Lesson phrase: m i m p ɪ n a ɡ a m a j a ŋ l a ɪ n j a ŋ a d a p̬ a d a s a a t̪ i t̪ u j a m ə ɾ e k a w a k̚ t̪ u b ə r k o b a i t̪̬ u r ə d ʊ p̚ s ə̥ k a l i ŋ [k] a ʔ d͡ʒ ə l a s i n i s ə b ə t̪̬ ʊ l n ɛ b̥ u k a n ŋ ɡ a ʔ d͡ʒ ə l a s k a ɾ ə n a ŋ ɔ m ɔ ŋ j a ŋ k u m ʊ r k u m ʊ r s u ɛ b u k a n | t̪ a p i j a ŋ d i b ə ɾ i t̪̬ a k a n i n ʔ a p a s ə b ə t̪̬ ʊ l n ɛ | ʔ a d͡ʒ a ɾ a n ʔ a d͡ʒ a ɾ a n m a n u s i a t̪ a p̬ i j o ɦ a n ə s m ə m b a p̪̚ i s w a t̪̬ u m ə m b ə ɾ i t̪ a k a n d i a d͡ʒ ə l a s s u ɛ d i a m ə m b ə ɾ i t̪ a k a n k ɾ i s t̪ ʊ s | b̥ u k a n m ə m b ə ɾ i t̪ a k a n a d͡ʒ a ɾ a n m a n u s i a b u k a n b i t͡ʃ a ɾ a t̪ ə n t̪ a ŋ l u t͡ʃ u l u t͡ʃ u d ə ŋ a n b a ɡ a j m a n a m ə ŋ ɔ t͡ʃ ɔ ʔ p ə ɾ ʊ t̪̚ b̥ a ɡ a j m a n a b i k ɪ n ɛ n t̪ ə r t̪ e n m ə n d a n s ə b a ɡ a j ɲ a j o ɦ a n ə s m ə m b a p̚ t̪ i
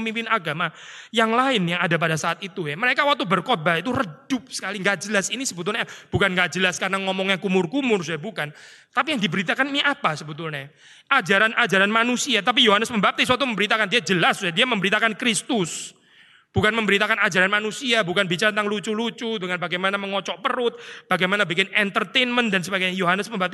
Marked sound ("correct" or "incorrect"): incorrect